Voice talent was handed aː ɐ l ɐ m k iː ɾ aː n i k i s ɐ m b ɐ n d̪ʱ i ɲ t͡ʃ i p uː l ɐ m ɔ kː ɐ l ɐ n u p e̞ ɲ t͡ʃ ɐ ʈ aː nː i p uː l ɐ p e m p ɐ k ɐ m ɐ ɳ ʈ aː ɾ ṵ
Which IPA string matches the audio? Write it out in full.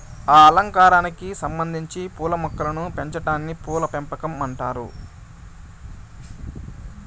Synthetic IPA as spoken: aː ɐ l ɐ ŋ k aː ɾ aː n i k i s ɐ m b ɐ n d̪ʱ i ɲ t͡ʃ i p uː l ɐ m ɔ kː ɐ l ɐ n u p e̞ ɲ t͡ʃ ɐ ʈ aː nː i p uː l ɐ p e m p ɐ k ɐ m ɐ ɳ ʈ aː ɾ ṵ